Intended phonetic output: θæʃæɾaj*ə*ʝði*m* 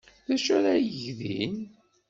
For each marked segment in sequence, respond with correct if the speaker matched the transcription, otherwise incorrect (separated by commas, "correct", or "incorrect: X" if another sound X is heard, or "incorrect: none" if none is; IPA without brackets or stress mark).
correct, incorrect: n